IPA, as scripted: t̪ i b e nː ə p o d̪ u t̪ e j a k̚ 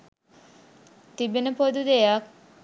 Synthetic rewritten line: t̪ i b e n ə p o d̪ u d̪ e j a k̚

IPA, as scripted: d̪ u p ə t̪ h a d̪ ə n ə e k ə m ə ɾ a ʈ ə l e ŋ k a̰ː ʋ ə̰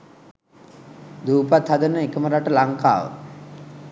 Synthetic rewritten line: d̪ uː p a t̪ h a d̪ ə n ə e k ə m ə ɾ a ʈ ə l a ŋ k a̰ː ʋ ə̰

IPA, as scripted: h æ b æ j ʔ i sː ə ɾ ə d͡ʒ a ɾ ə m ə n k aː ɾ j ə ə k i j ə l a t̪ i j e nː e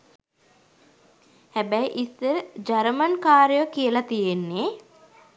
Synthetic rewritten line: h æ b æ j ʔ i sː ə ɾ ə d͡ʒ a ɾ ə m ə n k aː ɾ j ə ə k i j ə l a t̪ i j e nː e

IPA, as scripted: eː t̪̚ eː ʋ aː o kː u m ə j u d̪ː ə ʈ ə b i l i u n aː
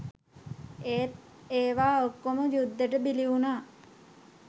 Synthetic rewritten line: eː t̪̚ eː ʋ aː o kː o m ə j u d̪ː ə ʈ ə b i l i u n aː

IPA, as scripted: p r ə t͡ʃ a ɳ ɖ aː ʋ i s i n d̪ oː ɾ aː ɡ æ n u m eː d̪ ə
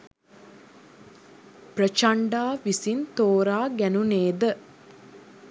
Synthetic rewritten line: p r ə t͡ʃ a ɳ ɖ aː ʋ i s i n t̪ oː ɾ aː ɡ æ n u n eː d̪ ə

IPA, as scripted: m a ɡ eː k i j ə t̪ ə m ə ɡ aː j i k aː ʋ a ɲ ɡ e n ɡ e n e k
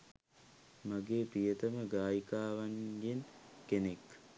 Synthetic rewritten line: m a ɡ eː p i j ə t̪ ə m ə ɡ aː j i k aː ʋ a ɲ ɡ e n k e n e k

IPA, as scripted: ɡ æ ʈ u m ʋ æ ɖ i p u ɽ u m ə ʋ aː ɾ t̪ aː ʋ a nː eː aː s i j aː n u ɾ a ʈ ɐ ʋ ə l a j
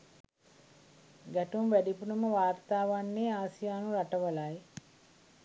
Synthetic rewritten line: ɡ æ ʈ u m ʋ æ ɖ i p u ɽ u m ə ʋ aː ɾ t̪ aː ʋ a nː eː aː s i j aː n u ɾ a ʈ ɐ ʋ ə l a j

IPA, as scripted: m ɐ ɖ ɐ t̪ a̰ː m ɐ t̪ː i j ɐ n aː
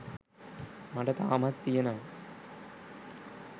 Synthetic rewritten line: m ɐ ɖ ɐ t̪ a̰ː m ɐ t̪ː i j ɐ n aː

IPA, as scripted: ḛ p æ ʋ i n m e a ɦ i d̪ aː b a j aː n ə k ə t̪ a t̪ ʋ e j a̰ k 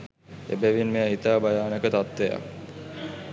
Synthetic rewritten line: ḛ b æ ʋ i n m e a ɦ i t̪ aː b a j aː n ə k ə t̪ a t̪ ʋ e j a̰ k

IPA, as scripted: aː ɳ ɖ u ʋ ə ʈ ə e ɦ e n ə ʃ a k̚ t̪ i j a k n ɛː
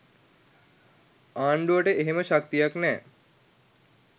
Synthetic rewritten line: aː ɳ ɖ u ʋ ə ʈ ə e ɦ e m ə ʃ a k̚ t̪ i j a k n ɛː

